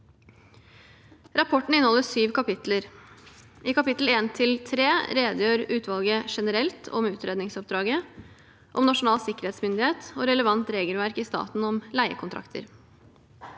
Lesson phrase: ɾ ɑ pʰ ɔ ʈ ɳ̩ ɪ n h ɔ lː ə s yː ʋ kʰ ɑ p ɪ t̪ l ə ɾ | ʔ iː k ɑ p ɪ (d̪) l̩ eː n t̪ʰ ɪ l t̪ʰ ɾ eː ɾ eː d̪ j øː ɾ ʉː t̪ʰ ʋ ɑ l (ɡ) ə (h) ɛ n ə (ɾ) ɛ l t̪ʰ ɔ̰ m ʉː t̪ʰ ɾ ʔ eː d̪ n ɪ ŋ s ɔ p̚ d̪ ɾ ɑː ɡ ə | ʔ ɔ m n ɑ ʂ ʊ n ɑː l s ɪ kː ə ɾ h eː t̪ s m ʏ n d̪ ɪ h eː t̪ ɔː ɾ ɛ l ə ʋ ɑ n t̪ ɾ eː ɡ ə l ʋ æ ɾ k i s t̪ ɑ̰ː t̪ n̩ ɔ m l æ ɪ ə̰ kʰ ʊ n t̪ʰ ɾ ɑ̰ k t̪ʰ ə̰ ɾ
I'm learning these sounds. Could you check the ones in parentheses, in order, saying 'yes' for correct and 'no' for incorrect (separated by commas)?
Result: no, yes, no, yes